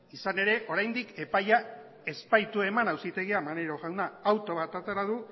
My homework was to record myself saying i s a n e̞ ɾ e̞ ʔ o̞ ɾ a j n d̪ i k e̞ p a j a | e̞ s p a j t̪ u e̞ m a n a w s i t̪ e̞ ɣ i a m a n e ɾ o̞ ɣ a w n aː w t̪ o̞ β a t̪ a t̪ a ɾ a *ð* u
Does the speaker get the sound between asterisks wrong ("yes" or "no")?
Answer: no